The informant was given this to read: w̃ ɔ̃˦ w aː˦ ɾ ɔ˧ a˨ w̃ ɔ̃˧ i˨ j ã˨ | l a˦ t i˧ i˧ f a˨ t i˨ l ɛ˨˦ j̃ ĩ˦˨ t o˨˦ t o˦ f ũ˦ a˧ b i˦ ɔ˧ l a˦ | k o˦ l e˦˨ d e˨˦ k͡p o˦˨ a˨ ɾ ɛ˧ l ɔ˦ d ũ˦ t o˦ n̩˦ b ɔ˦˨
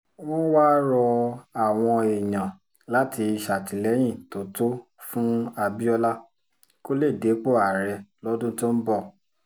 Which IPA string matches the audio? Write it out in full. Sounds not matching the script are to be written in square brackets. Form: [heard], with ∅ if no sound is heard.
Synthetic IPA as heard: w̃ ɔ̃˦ w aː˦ ɾ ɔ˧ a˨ w̃ ɔ̃˧ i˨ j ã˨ | l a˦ t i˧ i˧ [ʃ] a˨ t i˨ l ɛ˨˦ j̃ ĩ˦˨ t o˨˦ t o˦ f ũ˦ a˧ b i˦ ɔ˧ l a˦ | k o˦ l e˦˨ d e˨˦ k͡p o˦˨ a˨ ɾ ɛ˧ l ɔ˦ d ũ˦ t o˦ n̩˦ b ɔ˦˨